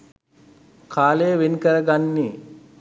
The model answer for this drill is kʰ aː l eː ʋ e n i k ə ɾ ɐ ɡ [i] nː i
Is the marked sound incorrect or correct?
incorrect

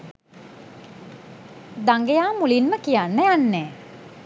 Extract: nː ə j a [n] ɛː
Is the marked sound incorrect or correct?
incorrect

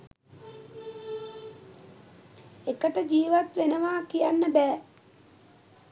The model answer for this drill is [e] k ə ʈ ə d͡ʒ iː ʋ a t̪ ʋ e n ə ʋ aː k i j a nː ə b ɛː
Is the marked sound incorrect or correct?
correct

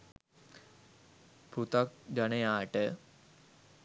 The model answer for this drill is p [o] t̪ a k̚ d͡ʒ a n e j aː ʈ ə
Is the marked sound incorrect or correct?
incorrect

